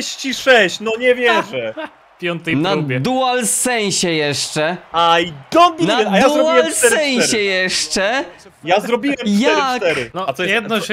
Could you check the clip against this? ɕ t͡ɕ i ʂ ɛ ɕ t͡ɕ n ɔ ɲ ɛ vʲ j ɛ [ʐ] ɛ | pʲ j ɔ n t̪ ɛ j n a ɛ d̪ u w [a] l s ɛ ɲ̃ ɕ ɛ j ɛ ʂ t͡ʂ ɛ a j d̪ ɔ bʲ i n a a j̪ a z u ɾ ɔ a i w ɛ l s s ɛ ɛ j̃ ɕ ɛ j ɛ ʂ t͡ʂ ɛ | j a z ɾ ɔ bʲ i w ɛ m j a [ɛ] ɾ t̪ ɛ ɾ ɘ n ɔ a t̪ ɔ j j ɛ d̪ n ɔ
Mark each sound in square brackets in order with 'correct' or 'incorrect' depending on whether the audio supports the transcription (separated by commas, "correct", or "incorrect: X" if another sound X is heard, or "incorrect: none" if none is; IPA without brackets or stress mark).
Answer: correct, correct, correct